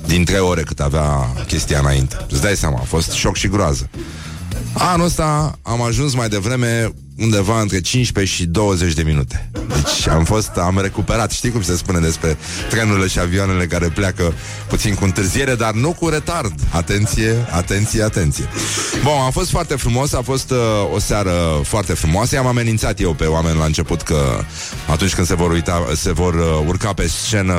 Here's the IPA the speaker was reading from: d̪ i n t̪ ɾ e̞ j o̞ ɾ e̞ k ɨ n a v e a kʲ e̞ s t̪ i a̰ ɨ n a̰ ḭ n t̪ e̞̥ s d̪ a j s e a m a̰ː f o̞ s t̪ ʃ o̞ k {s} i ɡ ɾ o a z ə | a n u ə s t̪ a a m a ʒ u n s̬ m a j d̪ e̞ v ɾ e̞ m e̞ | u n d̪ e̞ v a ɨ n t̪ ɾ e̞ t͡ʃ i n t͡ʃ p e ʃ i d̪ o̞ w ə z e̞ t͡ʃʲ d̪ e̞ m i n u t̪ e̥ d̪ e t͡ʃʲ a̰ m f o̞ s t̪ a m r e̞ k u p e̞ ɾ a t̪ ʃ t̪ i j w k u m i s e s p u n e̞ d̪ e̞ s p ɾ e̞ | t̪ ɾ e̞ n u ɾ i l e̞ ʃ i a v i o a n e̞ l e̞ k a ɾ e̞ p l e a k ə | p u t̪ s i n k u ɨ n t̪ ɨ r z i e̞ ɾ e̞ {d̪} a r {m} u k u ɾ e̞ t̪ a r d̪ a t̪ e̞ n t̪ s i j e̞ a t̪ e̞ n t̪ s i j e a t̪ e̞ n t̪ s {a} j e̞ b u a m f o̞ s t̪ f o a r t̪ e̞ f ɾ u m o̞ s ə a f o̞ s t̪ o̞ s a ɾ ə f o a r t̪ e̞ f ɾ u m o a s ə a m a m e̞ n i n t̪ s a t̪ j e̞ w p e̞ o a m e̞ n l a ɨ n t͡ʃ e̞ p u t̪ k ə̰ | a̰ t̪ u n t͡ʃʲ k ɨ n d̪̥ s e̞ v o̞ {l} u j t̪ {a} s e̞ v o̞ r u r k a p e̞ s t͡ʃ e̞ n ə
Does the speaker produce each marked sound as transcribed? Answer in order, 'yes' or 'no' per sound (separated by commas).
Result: no, yes, no, no, no, yes